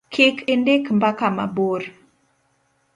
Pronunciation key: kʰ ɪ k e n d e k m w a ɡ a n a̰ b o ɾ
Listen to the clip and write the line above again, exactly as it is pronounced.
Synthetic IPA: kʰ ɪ k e n d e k m b a k a m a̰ b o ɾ

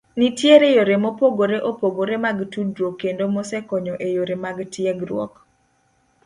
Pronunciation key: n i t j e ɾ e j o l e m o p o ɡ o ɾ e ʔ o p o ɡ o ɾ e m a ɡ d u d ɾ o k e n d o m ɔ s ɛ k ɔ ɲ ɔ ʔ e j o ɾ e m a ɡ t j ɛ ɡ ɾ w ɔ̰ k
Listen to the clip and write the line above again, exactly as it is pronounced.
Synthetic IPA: n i t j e ɾ e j o ɾ e m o p o ɡ o ɾ e ʔ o p o ɡ o ɾ e m a ɡ t u d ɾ o k e n d o m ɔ s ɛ k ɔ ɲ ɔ ʔ e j o ɾ e m a ɡ t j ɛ ɡ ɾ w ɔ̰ k

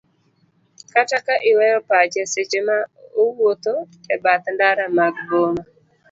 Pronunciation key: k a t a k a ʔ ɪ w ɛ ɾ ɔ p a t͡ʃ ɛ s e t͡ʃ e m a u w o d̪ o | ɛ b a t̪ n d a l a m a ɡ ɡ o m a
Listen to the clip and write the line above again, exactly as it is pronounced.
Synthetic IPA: k a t a k a ʔ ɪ w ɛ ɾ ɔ p a t͡ʃ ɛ s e t͡ʃ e m a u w o t̪ o | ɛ b a t̪ n d a ɾ a m a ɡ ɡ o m a

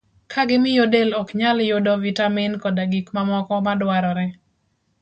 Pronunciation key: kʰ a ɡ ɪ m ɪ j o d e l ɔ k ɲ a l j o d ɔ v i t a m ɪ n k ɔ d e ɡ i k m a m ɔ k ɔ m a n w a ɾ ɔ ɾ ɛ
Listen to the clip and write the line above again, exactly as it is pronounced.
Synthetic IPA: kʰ a ɡ ɪ m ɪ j o d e l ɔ k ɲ a l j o d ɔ v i t a m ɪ n k ɔ d a ɡ i k m a m ɔ k ɔ m a d w a ɾ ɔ ɾ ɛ

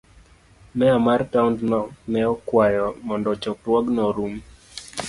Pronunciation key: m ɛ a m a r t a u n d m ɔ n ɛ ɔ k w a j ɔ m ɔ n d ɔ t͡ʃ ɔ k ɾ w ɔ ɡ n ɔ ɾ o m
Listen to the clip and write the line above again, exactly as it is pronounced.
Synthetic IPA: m ɛ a m a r t a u n d n ɔ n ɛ ɔ k w a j ɔ m ɔ n d ɔ t͡ʃ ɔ k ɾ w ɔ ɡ n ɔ ɾ u m

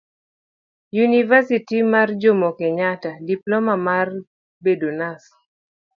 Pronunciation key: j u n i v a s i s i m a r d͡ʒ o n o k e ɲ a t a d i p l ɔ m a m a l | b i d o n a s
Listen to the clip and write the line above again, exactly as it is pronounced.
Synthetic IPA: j u n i v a s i t i m a r d͡ʒ o m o k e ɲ a t a d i p l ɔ m a m a r | b e d o n a s

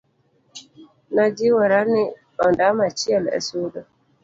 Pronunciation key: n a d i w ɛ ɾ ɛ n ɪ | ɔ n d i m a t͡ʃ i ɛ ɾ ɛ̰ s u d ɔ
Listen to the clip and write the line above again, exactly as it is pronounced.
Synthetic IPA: n a d͡ʒ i w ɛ ɾ a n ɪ | ɔ n d a m a t͡ʃ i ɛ l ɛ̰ s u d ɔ

